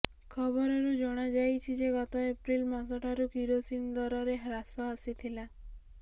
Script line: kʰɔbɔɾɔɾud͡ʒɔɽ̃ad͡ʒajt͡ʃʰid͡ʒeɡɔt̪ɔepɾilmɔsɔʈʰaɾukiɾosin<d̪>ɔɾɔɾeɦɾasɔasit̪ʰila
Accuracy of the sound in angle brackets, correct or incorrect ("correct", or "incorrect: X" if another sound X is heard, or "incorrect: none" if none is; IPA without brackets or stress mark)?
correct